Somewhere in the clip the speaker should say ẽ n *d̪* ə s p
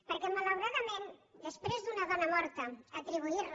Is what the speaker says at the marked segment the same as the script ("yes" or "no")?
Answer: yes